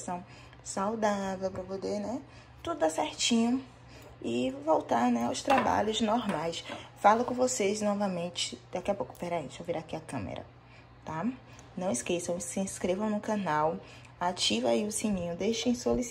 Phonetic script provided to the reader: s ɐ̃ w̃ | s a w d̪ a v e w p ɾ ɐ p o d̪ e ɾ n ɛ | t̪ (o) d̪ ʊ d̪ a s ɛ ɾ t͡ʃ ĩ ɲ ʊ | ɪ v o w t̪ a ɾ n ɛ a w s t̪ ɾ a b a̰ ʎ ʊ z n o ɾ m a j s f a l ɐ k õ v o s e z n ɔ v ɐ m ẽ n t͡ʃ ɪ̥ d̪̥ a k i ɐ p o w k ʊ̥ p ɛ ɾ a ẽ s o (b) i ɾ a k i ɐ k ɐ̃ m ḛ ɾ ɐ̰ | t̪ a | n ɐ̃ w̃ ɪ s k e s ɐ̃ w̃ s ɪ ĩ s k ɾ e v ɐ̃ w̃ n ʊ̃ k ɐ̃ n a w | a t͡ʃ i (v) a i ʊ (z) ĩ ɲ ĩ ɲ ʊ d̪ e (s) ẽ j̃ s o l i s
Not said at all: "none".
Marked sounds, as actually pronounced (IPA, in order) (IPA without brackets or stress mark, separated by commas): u, v, v, s, ʃ